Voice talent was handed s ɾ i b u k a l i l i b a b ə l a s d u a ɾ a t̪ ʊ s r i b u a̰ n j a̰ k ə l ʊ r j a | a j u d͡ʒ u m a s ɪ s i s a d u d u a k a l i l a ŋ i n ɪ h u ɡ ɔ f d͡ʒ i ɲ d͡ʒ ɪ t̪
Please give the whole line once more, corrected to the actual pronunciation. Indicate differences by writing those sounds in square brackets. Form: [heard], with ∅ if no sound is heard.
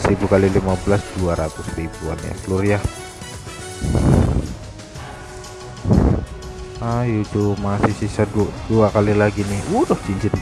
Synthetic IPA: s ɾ i b u k a l i l i [m] a b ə l a s d u a ɾ a t̪ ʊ s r i b u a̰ n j a̰ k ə l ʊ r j a | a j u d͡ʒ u m a s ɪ s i s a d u d u a k a l i l a [ɡ] i n ɪ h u [d] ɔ [h] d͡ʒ i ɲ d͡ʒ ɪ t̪